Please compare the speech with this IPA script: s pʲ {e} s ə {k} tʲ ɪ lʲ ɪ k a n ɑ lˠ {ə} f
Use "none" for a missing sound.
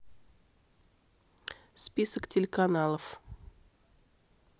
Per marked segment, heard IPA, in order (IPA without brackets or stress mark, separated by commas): i, k, ə